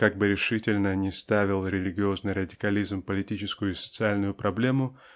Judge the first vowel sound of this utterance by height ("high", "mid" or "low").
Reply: low